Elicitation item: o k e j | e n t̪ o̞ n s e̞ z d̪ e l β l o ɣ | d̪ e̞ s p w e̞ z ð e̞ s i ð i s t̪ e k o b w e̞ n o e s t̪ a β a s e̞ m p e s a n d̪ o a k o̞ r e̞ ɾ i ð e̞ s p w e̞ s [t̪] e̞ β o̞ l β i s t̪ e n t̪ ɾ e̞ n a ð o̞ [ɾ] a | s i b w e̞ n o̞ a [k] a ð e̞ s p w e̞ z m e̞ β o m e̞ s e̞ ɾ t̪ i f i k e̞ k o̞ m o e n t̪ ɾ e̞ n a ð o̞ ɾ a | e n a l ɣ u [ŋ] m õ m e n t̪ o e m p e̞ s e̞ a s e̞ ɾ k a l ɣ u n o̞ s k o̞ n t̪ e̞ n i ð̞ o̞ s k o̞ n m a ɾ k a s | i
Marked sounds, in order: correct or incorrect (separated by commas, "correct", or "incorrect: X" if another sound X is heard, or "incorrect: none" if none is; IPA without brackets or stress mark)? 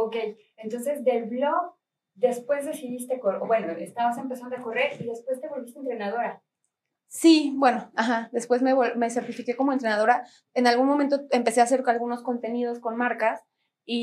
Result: correct, correct, incorrect: x, incorrect: n